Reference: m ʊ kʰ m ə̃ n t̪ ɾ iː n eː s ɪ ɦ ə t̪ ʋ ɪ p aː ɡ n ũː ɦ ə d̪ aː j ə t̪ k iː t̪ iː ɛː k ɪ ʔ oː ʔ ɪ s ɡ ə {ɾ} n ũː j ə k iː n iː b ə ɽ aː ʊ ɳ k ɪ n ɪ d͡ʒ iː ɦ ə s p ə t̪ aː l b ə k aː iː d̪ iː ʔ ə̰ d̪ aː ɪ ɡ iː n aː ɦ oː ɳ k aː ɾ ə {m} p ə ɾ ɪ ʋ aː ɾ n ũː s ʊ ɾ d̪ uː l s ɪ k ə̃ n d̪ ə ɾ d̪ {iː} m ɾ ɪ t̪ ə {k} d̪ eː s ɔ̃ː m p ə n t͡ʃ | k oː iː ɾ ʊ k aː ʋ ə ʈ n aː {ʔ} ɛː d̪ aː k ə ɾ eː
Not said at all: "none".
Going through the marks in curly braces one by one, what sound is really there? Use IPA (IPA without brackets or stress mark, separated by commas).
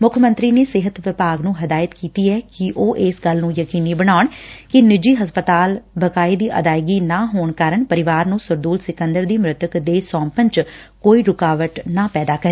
l, ɳ, iː, k, p